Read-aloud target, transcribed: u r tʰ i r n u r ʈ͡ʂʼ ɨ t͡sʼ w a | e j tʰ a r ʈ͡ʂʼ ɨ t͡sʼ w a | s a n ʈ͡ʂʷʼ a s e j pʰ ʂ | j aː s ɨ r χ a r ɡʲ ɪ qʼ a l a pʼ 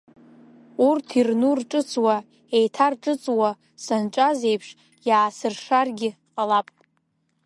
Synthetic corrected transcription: u r tʰ i r n u r ʈ͡ʂʼ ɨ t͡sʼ w a | e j tʰ a r ʈ͡ʂʼ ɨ t͡sʼ w a | s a n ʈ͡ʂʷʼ a z e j pʰ ʂ | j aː s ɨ r ʂ a r ɡʲ ɪ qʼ a l a pʼ